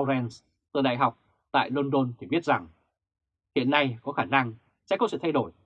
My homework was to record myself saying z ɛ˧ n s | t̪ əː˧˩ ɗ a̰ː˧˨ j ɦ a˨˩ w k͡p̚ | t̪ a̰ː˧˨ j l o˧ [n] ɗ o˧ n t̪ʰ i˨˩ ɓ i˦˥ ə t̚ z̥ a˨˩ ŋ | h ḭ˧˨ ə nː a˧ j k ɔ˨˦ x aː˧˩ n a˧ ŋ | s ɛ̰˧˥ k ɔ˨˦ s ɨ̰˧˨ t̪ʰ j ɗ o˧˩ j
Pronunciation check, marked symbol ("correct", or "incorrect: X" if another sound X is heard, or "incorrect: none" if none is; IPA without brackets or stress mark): correct